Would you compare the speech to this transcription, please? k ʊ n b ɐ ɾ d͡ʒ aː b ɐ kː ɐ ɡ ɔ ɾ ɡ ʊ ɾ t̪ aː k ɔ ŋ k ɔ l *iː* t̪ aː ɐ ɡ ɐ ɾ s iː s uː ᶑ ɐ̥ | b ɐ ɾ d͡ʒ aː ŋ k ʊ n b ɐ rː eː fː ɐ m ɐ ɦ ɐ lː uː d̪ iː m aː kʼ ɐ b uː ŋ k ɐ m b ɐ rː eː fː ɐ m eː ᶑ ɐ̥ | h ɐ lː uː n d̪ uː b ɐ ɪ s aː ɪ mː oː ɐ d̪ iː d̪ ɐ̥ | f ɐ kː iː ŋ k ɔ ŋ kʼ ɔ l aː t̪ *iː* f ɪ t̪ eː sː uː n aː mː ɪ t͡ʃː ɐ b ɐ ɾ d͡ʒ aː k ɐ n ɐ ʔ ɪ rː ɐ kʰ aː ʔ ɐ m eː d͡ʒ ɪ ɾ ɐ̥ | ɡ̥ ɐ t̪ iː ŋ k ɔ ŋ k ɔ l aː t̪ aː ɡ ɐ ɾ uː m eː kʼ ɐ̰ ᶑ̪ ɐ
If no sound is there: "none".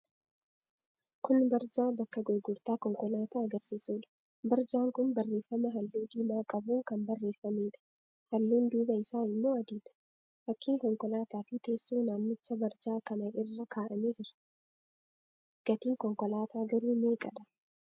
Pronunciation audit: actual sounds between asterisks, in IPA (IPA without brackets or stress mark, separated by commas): aː, aː